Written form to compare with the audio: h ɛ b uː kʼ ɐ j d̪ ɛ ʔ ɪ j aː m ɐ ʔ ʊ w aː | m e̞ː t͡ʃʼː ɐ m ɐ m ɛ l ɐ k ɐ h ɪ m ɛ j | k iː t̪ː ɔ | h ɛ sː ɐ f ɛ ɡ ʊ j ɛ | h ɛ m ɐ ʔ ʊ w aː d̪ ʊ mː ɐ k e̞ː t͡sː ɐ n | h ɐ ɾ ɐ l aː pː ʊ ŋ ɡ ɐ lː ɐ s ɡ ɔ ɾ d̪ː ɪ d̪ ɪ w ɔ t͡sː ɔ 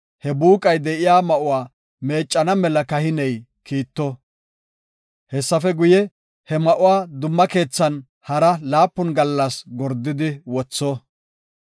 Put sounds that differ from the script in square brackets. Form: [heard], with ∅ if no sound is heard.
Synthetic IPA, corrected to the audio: h ɛ b uː kʼ ɐ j d̪ ɛ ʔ ɪ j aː m ɐ ʔ ʊ w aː | m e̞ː t͡ʃʼː ɐ [n] ɐ m ɛ l ɐ k ɐ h ɪ [n] ɛ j | k iː t̪ː ɔ | h ɛ sː ɐ f ɛ ɡ ʊ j ɛ | h ɛ m ɐ ʔ ʊ w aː d̪ ʊ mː ɐ k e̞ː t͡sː ɐ n | h ɐ ɾ ɐ l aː pː ʊ [n] ɡ ɐ lː ɐ s ɡ ɔ ɾ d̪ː ɪ d̪ ɪ w ɔ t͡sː ɔ